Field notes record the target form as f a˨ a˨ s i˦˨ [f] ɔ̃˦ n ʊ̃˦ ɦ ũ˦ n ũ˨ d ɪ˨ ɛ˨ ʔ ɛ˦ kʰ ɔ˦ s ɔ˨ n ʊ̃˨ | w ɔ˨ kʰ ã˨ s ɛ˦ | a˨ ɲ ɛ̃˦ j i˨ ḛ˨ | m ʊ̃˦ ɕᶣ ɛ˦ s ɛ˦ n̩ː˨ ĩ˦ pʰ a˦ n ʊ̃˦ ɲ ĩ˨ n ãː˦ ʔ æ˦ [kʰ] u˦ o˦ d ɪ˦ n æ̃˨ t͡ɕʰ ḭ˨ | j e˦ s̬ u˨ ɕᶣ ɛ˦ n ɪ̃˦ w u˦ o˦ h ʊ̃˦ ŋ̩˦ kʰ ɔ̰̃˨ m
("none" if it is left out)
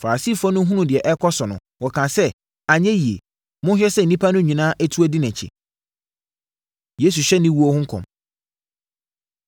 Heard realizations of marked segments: f, tʰ

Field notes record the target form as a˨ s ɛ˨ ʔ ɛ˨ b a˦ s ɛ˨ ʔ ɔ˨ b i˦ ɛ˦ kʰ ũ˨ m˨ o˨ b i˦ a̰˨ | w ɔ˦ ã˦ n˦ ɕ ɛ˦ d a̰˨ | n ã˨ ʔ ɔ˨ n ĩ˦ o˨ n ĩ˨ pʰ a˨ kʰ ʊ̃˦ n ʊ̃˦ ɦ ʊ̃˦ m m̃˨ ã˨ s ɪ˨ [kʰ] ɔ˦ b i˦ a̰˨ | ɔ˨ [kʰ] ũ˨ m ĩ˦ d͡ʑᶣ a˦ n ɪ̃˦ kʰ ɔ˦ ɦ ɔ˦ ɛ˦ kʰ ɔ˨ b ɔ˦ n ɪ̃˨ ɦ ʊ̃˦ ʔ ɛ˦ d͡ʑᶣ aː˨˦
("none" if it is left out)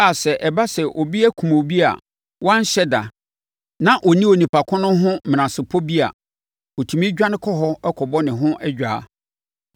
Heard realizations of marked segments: pʰ, tʰ

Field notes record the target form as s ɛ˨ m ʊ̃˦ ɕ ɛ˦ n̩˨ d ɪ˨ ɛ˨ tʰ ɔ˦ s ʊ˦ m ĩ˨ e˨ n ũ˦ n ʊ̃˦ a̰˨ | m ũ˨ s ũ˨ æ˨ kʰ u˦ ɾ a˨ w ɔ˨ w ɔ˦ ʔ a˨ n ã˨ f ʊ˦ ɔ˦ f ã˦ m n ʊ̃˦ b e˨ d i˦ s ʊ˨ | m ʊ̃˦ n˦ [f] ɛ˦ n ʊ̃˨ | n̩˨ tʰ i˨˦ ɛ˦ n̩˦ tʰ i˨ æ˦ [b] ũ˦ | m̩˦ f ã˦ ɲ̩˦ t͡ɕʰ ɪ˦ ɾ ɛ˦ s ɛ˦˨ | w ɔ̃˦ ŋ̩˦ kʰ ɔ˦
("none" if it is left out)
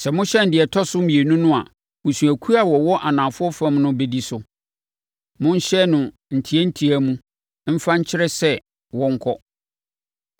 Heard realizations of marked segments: ɕ, m

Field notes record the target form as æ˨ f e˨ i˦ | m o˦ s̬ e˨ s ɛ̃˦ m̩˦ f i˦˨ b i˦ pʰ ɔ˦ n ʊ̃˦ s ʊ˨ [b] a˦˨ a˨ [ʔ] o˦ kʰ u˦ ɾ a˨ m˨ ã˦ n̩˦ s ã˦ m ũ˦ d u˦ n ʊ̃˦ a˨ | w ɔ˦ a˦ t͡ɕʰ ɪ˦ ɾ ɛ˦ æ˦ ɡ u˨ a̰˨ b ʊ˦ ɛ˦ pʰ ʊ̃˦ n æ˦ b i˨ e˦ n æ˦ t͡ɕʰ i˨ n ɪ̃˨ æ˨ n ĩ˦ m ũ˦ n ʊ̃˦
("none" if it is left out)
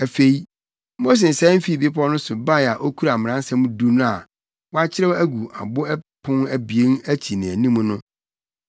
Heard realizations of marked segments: b, ʔ

